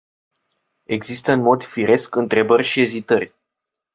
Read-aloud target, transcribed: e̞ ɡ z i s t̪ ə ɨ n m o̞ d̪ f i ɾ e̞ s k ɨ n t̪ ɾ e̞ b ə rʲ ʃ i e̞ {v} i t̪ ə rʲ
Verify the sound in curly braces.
incorrect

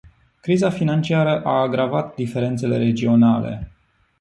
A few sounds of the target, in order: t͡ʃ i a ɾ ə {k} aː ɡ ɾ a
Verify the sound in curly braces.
incorrect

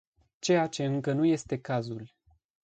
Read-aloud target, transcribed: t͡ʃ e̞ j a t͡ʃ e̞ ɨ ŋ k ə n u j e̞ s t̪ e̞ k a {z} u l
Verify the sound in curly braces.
correct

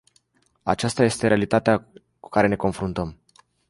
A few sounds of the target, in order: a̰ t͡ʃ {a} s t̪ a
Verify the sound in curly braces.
correct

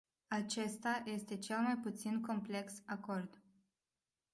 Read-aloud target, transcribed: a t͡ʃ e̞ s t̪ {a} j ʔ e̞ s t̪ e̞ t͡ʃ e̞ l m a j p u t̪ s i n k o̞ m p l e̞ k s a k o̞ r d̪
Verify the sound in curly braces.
correct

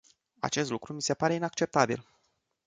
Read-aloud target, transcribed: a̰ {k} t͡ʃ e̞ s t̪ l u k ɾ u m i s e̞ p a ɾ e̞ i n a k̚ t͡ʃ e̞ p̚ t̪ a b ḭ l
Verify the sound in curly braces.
incorrect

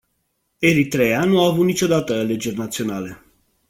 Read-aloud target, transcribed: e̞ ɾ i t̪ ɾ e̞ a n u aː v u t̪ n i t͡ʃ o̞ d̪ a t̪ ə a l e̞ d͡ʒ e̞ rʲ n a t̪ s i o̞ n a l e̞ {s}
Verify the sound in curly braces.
incorrect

